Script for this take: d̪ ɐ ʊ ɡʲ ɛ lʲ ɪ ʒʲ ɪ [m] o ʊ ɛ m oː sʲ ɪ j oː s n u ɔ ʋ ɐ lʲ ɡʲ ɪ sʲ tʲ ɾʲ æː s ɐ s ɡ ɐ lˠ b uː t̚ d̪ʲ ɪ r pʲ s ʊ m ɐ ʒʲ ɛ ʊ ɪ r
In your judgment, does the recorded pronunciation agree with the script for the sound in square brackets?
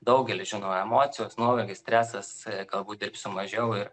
no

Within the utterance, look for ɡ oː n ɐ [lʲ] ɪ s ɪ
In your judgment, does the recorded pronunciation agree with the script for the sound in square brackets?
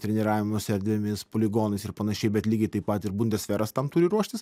no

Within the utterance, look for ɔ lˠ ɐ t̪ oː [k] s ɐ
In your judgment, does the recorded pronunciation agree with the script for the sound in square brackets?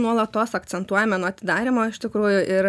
no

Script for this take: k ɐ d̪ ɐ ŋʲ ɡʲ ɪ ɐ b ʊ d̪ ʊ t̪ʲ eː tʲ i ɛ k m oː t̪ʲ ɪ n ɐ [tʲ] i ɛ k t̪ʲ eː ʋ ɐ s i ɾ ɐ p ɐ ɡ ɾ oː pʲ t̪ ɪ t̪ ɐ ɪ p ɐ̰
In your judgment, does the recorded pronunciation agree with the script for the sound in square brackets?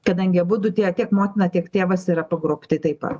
yes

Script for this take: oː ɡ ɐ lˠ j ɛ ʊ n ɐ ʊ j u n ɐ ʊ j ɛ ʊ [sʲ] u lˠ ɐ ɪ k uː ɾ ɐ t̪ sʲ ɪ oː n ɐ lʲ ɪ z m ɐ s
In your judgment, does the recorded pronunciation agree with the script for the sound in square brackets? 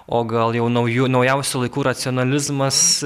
yes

